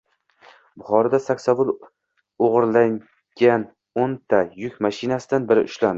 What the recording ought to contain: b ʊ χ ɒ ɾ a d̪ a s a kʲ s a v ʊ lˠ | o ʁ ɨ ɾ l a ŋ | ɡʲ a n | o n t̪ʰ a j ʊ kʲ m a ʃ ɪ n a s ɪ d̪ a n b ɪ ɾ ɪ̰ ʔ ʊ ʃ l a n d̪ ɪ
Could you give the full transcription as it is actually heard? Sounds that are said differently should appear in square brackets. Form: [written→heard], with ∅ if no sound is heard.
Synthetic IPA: b ʊ χ ɒ ɾ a d̪ a s a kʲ s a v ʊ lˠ | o ʁ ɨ ɾ l a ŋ | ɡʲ a n | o n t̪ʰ a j ʊ kʲ m a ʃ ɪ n a s ɪ d̪ a n b ɪ ɾ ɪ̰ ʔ ʊ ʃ l a n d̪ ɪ